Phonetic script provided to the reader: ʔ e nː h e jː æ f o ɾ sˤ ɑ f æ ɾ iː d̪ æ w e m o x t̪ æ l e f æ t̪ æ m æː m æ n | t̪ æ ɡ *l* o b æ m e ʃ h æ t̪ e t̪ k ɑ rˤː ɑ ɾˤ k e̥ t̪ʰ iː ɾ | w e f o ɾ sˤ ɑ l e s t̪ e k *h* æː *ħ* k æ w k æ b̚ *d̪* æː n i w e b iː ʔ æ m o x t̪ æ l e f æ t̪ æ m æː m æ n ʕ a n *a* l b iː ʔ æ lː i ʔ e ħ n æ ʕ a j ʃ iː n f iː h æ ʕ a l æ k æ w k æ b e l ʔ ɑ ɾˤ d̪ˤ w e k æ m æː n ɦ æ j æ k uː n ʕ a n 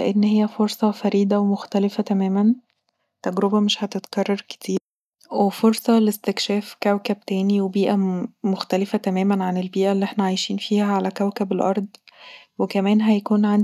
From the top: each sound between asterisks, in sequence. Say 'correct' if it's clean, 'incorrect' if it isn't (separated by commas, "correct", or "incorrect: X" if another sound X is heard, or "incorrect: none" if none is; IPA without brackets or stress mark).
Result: incorrect: ɾ, incorrect: ʃ, incorrect: f, incorrect: t̪, incorrect: e